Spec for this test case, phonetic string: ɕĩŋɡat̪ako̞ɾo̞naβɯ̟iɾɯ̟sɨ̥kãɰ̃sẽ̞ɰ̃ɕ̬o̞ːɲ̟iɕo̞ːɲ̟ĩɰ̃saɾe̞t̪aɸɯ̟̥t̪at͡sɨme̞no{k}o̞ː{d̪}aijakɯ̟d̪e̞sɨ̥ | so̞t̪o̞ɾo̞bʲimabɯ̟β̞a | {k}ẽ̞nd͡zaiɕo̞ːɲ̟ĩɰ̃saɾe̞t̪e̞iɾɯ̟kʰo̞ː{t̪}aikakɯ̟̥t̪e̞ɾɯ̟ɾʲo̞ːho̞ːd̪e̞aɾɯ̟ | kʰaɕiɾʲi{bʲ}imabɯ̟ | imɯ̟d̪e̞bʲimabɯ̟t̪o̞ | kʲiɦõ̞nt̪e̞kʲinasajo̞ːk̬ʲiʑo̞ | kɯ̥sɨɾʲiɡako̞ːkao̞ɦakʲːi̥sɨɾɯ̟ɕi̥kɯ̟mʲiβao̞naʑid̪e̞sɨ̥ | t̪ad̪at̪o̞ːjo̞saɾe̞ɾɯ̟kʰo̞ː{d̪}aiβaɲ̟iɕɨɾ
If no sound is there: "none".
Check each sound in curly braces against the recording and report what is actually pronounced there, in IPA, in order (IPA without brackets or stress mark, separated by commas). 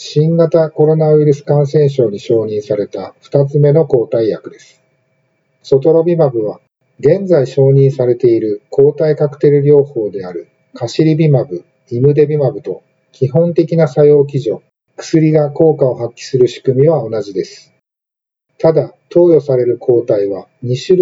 k, t̪, ɡ, t̪, bʲ, t̪